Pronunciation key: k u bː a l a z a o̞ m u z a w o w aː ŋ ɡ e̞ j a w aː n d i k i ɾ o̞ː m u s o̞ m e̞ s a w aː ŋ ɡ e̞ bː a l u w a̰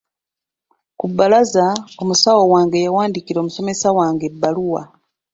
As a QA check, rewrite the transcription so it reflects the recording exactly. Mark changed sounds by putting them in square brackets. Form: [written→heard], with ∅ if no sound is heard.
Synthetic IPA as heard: k u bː a l a z a o̞ m u [z→s] a w o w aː ŋ ɡ e̞ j a w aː n d i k i ɾ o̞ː m u s o̞ m e̞ s a w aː ŋ ɡ e̞ bː a l u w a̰